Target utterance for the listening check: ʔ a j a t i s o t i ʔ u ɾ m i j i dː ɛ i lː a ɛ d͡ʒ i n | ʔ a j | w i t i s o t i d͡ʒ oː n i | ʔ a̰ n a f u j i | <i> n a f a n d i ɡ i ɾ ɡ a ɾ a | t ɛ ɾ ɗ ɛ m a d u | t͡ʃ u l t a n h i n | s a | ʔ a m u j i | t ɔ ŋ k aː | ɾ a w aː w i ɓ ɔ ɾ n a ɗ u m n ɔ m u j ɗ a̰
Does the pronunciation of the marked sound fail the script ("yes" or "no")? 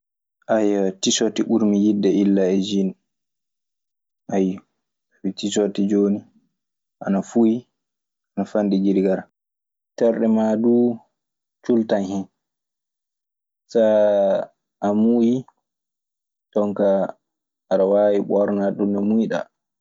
yes